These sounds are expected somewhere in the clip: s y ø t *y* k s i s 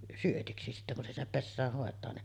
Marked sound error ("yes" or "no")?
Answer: yes